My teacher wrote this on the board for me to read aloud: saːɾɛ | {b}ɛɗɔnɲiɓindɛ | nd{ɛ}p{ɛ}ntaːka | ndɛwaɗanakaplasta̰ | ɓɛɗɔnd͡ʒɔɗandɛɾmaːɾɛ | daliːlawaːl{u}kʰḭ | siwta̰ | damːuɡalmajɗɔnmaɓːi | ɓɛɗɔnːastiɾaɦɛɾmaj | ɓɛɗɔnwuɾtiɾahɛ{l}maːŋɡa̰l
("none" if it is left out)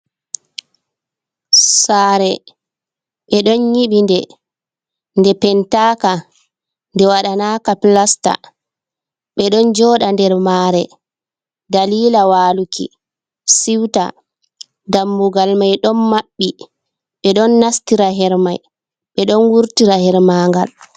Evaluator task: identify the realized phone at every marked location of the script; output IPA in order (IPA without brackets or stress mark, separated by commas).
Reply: ɓ, ɛ, ɛ, u, ɾ